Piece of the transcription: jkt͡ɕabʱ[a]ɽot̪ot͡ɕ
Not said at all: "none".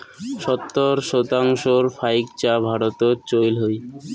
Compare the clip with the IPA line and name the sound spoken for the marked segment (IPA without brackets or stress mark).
a